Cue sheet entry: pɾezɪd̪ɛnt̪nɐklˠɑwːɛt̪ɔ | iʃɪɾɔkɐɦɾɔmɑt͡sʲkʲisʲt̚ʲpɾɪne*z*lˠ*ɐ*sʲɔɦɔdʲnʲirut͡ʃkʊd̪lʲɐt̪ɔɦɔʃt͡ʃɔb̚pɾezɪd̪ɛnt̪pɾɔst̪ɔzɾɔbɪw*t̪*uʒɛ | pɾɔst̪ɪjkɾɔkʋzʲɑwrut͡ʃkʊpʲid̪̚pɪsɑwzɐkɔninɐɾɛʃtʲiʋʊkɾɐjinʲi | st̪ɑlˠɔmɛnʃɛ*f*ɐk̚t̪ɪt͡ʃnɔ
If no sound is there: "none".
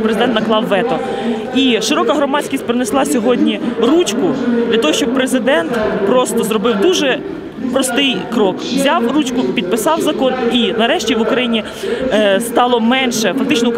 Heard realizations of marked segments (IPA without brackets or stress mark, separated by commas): s, ɑ, d̪, f